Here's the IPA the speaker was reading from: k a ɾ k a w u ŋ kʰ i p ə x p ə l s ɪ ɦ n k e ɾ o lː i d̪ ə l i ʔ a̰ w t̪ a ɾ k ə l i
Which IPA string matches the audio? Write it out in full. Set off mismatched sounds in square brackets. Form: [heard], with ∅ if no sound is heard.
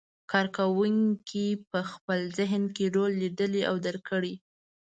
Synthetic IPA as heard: k [ɑ] ɾ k a w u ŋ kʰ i p ə x p ə l [z] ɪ ɦ n k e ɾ o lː i d̪ ə l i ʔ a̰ w [d̪] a ɾ k ə [ɽ] i